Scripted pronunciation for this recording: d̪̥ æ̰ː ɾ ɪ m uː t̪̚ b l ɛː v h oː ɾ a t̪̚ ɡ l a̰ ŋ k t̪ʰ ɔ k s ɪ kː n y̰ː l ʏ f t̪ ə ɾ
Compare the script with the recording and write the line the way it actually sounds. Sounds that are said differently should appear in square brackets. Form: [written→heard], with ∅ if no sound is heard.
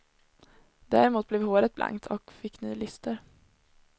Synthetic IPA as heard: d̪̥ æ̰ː ɾ ɪ m uː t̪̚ b l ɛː v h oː ɾ [a→ə] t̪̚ [ɡ→b] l a̰ ŋ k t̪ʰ ɔ k [s→f] ɪ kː n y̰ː l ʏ [f→s] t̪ ə ɾ